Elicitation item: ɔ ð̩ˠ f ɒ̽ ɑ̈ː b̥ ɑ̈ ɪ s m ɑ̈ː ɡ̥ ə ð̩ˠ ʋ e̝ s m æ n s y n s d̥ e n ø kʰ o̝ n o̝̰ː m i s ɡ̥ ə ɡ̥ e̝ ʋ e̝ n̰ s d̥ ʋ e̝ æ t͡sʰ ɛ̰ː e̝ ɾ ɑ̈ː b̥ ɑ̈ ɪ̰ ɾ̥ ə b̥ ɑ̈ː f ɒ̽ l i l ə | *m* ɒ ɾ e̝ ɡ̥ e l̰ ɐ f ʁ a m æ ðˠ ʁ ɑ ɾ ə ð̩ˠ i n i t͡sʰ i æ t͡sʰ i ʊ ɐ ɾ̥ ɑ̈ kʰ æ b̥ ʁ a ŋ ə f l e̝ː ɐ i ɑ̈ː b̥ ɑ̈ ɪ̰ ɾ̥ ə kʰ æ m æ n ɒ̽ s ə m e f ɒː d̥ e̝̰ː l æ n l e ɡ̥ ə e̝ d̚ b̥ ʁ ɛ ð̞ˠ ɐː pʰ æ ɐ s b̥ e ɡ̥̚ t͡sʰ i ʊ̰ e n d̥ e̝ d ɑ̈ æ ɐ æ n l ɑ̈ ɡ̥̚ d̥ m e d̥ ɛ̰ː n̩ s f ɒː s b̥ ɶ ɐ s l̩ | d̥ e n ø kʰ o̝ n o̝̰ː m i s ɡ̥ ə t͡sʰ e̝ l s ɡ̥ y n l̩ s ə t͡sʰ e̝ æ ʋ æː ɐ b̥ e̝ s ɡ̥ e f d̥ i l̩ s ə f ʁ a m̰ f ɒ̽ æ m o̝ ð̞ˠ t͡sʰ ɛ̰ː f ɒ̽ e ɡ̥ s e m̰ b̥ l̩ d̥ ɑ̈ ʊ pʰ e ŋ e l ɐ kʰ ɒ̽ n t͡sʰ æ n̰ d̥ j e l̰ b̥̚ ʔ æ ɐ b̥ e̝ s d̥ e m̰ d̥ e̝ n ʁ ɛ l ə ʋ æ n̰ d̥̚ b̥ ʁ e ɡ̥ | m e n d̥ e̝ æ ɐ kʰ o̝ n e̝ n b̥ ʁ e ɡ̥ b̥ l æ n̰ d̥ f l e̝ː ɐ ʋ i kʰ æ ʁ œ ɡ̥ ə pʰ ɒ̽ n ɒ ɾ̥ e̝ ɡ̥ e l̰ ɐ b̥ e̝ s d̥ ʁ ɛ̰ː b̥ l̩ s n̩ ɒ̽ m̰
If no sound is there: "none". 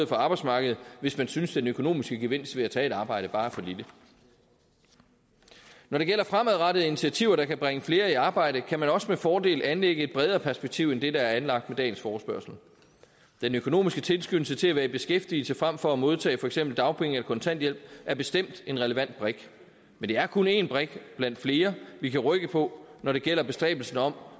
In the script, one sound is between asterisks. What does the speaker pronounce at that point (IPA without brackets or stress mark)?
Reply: n